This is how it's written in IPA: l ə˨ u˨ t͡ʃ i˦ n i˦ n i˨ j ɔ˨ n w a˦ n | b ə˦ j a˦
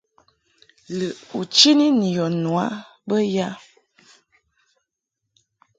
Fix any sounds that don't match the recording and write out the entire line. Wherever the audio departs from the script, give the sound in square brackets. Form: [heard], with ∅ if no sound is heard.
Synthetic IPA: l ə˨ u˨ t͡ʃ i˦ n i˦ n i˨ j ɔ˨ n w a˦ [∅] | b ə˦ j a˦